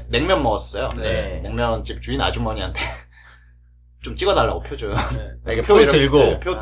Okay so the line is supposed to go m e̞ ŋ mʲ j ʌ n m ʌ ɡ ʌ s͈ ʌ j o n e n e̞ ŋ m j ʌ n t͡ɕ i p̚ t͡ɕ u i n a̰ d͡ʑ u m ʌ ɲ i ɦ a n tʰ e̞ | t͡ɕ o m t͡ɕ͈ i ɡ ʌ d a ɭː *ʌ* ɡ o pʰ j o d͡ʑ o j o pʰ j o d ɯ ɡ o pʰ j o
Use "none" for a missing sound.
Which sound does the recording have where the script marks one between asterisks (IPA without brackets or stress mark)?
a